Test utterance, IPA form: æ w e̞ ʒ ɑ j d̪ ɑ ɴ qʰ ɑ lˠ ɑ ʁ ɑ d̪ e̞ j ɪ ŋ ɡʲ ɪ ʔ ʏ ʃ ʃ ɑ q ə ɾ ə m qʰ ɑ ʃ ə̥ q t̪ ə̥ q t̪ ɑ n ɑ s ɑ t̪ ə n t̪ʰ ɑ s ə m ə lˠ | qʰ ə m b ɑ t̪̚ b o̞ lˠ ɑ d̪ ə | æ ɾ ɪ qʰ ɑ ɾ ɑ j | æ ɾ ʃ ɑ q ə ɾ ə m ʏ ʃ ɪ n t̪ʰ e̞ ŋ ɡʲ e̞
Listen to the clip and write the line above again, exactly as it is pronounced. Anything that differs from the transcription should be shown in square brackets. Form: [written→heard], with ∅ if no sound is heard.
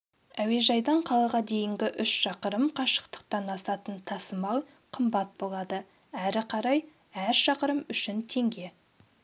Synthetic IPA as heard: æ w e̞ ʒ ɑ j d̪ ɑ ɴ qʰ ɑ lˠ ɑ ʁ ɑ d̪ e̞ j ɪ ŋ ɡʲ ɪ ʔ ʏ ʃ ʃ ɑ q ə ɾ ə m qʰ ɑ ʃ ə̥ q t̪ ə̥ q t̪ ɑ n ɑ s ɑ t̪ ə n t̪ʰ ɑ s ə m [ə→ɑ] lˠ | qʰ ə m b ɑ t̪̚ b o̞ lˠ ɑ d̪ ə | æ ɾ ɪ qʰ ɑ ɾ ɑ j | æ ɾ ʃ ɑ q ə ɾ ə m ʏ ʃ ɪ n t̪ʰ e̞ ŋ ɡʲ e̞